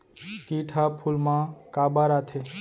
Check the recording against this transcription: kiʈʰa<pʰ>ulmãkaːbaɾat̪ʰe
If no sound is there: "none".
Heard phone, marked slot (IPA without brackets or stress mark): pʰ